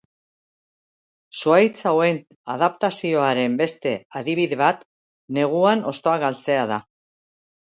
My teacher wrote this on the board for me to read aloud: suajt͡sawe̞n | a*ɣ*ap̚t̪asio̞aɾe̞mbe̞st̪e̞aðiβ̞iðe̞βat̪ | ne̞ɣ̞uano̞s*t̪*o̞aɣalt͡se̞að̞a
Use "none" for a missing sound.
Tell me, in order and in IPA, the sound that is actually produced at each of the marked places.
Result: ð, t̪

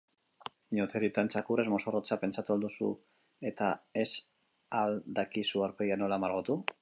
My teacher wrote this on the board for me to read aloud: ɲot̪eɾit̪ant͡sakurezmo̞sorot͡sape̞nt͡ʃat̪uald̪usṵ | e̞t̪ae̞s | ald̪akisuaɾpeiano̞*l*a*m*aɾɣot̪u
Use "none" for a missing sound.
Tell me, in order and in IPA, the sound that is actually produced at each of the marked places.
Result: l, m

